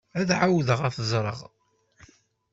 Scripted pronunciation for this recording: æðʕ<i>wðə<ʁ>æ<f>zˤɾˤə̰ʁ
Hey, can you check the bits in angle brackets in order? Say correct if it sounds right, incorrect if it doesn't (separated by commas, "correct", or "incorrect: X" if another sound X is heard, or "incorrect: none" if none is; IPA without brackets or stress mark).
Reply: incorrect: a, correct, correct